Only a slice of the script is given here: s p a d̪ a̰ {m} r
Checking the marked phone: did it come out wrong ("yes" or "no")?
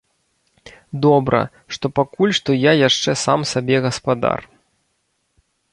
yes